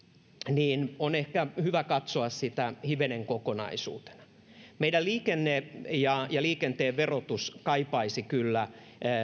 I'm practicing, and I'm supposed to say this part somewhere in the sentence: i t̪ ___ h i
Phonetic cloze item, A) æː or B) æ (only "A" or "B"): B